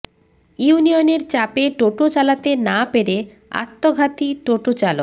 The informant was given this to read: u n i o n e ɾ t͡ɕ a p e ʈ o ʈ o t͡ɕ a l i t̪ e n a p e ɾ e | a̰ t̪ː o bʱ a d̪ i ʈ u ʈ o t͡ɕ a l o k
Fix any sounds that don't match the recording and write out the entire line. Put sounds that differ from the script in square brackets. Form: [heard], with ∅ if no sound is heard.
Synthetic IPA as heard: u n i o n e ɾ t͡ɕ a p e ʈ o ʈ o t͡ɕ a l [a] t̪ e n a p e ɾ e | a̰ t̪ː o [ɡʱ] a [t̪] i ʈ [o] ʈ o t͡ɕ a l o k